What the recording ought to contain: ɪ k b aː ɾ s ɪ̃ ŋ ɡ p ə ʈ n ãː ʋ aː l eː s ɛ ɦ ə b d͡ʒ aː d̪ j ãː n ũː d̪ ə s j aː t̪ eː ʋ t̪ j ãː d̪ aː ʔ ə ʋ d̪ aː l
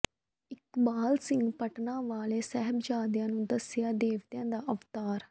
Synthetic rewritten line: ɪ k b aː l s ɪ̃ ŋ ɡ p ə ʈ n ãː ʋ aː l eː s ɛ ɦ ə b d͡ʒ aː d̪ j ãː n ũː d̪ ə s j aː d̪ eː ʋ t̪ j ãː d̪ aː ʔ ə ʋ t̪ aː ɾ